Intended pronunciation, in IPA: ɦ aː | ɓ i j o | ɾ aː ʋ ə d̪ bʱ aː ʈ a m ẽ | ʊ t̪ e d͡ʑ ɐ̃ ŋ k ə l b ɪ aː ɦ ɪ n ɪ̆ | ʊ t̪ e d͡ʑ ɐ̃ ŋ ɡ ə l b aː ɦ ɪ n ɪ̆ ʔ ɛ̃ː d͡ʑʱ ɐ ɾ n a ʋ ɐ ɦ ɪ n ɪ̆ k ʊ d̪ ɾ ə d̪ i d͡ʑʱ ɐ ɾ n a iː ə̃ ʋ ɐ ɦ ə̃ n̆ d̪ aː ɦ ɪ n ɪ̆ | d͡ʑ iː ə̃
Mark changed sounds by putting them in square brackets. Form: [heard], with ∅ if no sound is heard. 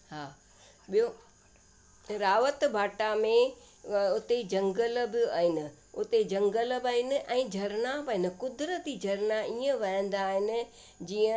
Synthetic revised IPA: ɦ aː | ɓ i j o | ɾ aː ʋ ə [t̪] bʱ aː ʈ a m ẽ | ʊ t̪ e d͡ʑ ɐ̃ ŋ [ɡ] ə l b ɪ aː ɦ ɪ n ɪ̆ | ʊ t̪ e d͡ʑ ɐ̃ ŋ ɡ ə l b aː ɦ ɪ n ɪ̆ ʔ ɛ̃ː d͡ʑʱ ɐ ɾ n a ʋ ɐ ɦ ɪ n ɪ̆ k ʊ d̪ ɾ ə [t̪] i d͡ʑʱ ɐ ɾ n a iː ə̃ ʋ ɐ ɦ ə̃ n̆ d̪ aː ɦ ɪ n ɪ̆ | d͡ʑ iː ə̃